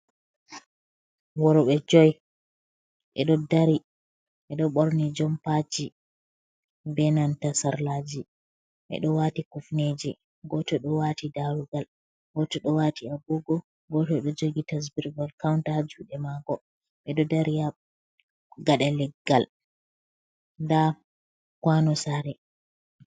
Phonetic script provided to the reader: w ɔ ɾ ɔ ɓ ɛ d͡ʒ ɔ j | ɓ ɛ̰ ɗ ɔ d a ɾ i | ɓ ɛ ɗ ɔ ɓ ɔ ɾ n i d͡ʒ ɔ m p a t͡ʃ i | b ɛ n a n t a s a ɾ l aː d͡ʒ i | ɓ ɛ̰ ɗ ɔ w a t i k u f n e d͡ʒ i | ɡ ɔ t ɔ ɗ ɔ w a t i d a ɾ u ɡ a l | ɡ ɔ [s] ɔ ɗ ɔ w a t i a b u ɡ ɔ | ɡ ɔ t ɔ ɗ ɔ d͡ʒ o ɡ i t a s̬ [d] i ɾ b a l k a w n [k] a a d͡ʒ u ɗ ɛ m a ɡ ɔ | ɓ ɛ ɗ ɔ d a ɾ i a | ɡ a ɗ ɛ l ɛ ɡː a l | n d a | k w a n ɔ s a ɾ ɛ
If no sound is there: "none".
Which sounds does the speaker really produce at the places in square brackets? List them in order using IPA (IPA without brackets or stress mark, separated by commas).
t, b, t